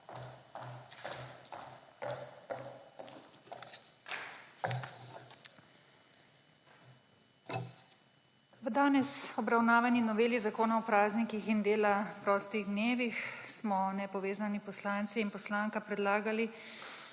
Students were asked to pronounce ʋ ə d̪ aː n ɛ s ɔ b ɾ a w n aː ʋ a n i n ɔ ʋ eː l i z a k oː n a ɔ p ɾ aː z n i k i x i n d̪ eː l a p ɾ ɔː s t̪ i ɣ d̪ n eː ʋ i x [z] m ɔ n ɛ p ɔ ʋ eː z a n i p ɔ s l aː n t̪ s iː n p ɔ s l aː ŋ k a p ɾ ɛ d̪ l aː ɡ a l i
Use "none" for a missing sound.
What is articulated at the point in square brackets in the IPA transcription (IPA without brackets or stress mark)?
s